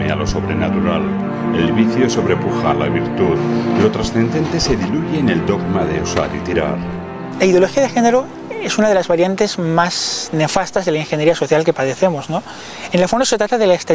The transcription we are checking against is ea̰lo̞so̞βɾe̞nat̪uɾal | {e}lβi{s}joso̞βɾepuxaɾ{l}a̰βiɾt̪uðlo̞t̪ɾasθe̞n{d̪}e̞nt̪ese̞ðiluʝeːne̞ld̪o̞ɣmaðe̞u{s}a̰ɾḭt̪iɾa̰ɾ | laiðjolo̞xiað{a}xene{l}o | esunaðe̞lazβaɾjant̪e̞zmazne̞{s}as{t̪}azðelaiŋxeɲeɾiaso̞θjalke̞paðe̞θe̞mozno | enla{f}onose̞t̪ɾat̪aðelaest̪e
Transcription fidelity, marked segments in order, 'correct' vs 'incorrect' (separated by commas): correct, incorrect, correct, correct, correct, incorrect, incorrect, incorrect, correct, correct